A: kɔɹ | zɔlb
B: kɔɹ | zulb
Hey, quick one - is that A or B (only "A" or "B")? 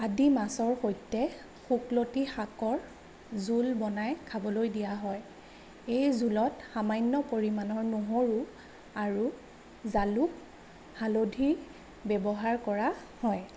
B